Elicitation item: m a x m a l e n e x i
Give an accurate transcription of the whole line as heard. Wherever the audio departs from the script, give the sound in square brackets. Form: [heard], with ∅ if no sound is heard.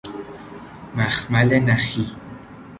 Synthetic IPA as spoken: m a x m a l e n [a] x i

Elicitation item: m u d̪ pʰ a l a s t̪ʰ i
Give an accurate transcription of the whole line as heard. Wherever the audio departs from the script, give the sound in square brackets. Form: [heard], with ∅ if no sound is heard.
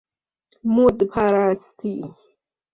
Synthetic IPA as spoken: m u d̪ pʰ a [ɾ] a s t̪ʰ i

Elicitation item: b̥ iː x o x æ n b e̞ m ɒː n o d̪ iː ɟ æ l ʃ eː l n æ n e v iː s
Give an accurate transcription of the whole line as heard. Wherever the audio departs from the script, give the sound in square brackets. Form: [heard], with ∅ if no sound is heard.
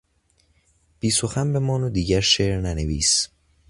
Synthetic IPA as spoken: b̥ iː [s] o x æ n b e̞ m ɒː n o d̪ iː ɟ æ [ɾ] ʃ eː [ɾ] n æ n e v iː s

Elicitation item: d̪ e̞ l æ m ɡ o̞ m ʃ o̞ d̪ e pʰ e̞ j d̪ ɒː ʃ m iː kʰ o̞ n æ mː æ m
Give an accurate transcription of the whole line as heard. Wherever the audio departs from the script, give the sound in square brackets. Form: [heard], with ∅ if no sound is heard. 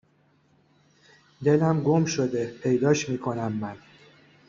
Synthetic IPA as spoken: d̪ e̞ l æ m ɡ o̞ m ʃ o̞ d̪ e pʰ e̞ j d̪ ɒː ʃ m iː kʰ o̞ n æ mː æ [n]

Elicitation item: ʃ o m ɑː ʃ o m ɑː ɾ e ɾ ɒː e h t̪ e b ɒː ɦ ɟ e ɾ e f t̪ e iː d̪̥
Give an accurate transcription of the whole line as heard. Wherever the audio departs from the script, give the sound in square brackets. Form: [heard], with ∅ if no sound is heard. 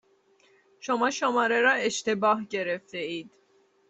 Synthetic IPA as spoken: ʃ o m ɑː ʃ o m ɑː ɾ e ɾ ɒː e [ʃ] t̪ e b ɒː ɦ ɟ e ɾ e f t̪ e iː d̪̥

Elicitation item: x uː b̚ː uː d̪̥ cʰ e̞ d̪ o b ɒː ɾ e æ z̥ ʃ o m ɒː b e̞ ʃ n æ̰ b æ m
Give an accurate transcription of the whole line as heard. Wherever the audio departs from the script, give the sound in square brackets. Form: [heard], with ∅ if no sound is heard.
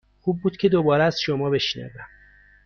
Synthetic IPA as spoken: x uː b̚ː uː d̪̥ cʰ e̞ d̪ o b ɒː ɾ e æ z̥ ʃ o m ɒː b e̞ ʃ n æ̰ [v] æ m

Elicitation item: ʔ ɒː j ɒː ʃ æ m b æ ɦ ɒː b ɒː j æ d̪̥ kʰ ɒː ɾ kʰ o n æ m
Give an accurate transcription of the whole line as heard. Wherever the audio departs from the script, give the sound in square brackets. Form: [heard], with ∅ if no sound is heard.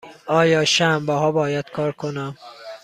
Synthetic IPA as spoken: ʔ ɒː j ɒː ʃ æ m b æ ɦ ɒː b ɒː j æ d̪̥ kʰ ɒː ɾ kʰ o n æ m

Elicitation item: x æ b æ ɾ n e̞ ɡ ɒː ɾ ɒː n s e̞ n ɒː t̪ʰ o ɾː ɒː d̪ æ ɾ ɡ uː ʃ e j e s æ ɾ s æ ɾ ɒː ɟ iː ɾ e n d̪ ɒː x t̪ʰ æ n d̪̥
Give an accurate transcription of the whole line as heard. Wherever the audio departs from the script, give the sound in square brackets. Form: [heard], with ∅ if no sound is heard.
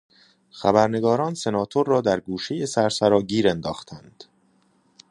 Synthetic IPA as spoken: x æ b æ ɾ n e̞ ɡ ɒː ɾ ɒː n s e̞ n ɒː t̪ʰ o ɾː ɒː d̪ æ ɾ ɡ uː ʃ e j e s æ ɾ s æ ɾ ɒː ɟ iː ɾ e n d̪ ɒː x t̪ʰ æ n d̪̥

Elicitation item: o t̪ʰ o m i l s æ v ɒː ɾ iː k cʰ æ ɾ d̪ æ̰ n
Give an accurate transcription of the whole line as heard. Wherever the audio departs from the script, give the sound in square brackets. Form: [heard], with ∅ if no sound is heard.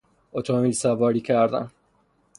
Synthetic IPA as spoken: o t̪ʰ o m i l s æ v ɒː ɾ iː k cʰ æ ɾ d̪ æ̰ n

